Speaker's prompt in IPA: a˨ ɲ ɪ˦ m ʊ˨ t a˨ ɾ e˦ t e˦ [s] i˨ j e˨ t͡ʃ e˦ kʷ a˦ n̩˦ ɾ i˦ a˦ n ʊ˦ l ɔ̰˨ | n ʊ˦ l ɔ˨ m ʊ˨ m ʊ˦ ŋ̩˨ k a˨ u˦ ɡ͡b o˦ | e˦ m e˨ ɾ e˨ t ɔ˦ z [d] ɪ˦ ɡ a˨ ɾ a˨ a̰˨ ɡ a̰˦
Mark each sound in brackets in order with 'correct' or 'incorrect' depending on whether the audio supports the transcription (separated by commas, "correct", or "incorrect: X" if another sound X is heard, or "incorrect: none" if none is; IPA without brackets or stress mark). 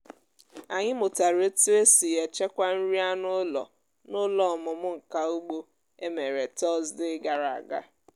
correct, correct